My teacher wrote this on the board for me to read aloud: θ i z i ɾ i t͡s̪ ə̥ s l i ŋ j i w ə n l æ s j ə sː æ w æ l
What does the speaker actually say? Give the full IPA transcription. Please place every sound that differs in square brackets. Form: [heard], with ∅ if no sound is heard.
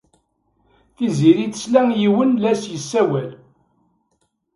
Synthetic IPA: θ i z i ɾ i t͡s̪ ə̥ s l [æ] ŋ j i w ə n l æ s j ə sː æ w æ l